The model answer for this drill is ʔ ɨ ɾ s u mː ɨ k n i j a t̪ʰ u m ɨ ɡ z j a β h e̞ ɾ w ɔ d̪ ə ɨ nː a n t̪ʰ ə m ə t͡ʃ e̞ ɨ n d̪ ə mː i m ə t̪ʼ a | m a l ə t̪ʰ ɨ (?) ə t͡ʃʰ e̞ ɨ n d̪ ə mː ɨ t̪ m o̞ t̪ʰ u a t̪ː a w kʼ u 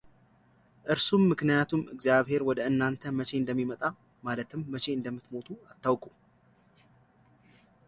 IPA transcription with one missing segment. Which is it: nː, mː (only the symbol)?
mː